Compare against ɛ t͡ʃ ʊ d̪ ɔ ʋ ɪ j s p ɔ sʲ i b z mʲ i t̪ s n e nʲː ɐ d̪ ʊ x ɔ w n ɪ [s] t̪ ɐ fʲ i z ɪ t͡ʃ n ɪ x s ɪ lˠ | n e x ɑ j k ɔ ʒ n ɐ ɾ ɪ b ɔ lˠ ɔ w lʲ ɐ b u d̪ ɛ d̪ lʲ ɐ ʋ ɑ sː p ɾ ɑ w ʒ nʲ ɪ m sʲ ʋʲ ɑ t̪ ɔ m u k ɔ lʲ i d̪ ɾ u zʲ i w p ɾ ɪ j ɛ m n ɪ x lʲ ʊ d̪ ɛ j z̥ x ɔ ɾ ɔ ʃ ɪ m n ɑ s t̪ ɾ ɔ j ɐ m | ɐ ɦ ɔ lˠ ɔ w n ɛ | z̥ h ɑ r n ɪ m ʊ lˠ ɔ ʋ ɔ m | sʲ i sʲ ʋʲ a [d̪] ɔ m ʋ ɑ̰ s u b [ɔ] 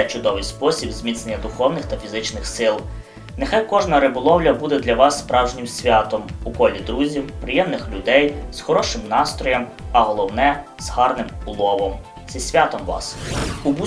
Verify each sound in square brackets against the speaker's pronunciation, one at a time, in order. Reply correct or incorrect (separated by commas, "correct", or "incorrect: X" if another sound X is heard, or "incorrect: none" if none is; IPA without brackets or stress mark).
incorrect: x, incorrect: t̪, incorrect: u